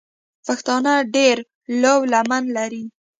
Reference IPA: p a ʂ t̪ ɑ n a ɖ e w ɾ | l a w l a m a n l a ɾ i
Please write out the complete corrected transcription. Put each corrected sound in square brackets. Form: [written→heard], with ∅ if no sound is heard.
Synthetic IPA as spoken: p a [ʂ→x] t̪ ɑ n a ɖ e [w→∅] ɾ | l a w l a m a n l a ɾ i